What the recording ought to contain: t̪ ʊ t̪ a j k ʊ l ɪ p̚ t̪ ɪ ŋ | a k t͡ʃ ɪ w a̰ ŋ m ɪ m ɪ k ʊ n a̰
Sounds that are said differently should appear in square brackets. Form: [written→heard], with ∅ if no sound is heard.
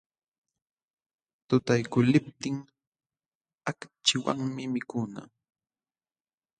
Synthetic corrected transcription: t̪ ʊ t̪ a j k ʊ l ɪ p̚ t̪ ɪ ŋ | a k t͡ʃ ɪ w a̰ ŋ m ɪ m ɪ k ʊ n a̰

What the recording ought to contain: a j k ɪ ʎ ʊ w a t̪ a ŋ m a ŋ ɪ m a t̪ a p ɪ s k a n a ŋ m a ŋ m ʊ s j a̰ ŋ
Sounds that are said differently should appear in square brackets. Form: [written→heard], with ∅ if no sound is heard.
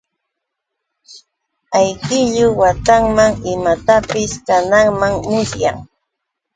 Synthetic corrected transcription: a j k ɪ ʎ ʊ w a t̪ a ŋ m a ŋ ɪ m a t̪ a p ɪ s k a n a ŋ m a ŋ m ʊ s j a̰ ŋ

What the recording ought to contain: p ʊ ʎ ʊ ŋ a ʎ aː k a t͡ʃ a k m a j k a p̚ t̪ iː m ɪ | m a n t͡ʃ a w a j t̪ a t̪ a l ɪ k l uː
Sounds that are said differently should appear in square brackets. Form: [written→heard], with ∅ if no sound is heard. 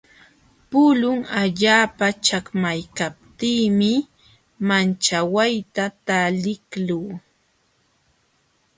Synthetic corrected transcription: p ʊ [ʎ→l] ʊ ŋ a ʎ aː [k→p] a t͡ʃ a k m a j k a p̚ t̪ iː m ɪ | m a n t͡ʃ a w a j t̪ a t̪ a l ɪ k l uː

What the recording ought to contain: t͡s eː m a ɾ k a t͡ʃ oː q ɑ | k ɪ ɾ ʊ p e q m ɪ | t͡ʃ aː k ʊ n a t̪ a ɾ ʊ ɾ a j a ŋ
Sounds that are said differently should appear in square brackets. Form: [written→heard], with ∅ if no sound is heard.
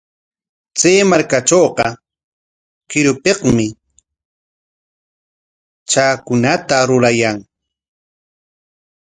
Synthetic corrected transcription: t͡s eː m a ɾ k a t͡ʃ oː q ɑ | k ɪ ɾ ʊ p e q m ɪ | t͡ʃ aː k ʊ n a t̪ a ɾ ʊ ɾ a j a ŋ

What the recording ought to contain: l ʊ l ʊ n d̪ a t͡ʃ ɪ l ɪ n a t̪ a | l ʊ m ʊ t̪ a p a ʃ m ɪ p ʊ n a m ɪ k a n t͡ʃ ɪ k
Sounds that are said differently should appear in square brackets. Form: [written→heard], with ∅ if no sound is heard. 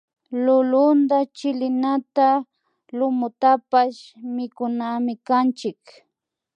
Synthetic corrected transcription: l ʊ l ʊ n d̪ a t͡ʃ ɪ l ɪ n a t̪ a | l ʊ m ʊ t̪ a p a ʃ m ɪ [p→k] ʊ n a m ɪ k a n t͡ʃ ɪ k

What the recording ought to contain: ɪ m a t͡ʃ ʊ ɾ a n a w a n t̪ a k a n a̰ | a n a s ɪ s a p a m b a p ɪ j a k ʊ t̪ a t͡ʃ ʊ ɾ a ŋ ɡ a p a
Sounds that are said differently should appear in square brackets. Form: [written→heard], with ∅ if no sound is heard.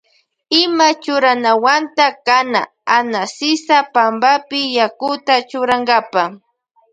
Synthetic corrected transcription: ɪ m a t͡ʃ ʊ ɾ a n a w a n t̪ a k a n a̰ | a n a s ɪ s a p a m b a p ɪ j a k ʊ t̪ a t͡ʃ ʊ ɾ a ŋ ɡ a p a

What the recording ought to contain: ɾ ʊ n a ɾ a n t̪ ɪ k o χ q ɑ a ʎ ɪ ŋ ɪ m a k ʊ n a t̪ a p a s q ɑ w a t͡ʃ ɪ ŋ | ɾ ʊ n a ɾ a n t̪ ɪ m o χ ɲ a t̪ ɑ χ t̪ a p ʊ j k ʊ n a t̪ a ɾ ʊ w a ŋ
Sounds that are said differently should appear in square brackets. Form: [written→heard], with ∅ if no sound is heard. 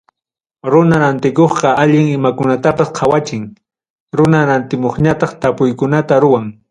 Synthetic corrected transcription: ɾ ʊ n a ɾ a n t̪ ɪ k o χ q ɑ a ʎ ɪ ŋ ɪ m a k ʊ n a t̪ a p a s [q→qʰ] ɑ w a t͡ʃ ɪ ŋ | ɾ ʊ n a ɾ a n t̪ ɪ m o χ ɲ a t̪ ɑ χ t̪ a p ʊ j k ʊ n a t̪ a ɾ ʊ w a ŋ

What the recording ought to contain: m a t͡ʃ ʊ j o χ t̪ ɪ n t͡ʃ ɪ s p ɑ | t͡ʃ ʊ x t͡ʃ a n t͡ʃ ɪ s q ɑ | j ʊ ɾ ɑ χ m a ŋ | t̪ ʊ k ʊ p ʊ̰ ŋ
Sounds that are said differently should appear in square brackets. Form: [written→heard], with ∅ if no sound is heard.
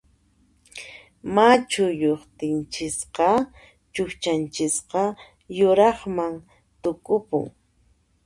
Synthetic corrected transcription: m a t͡ʃ ʊ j o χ t̪ ɪ n t͡ʃ ɪ s [p→q] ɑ | t͡ʃ ʊ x t͡ʃ a n t͡ʃ ɪ s q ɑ | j ʊ ɾ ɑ χ m a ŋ | t̪ ʊ k ʊ p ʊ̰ ŋ

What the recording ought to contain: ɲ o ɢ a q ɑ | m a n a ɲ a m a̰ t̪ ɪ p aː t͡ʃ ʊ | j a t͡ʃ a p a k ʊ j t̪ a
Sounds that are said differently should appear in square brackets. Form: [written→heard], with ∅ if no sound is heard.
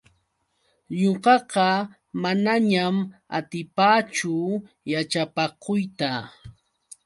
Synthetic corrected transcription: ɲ o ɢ [a→ɑ] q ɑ | m a n a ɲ a m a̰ t̪ ɪ p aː t͡ʃ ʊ | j a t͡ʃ a p a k ʊ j t̪ a

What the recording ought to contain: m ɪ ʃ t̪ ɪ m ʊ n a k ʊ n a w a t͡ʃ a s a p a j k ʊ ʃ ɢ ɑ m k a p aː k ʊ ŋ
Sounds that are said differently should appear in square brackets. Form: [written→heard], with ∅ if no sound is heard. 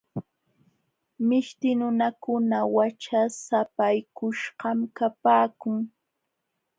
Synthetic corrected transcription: m ɪ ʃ t̪ ɪ [m→n] ʊ n a k ʊ n a w a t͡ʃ a s a p a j k ʊ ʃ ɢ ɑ m k a p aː k ʊ ŋ

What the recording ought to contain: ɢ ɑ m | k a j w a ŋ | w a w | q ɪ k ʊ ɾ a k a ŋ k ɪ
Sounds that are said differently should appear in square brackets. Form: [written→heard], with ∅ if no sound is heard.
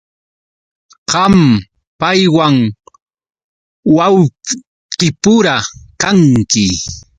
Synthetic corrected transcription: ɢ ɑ m | [k→p] a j w a ŋ | w a w | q ɪ [k→p] ʊ ɾ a k a ŋ k ɪ

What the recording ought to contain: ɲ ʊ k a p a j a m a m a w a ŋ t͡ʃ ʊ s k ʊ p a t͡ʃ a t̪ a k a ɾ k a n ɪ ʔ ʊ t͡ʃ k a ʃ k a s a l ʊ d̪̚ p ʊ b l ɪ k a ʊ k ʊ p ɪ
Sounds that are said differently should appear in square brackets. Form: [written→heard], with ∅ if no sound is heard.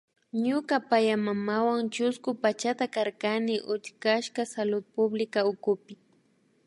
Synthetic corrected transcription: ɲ ʊ k a p a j a m a m a w a ŋ t͡ʃ ʊ s k ʊ p a t͡ʃ a t̪ a k a ɾ k a n ɪ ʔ ʊ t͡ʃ k a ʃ k a s a l ʊ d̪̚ p ʊ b l ɪ k a ʊ k ʊ p ɪ

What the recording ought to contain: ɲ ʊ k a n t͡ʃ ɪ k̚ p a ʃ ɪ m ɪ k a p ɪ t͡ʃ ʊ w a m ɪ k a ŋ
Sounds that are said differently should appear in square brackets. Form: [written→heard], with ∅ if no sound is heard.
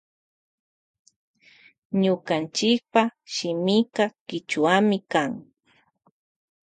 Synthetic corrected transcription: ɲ ʊ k a n t͡ʃ ɪ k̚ p a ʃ ɪ m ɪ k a [p→k] ɪ t͡ʃ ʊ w a m ɪ k a ŋ

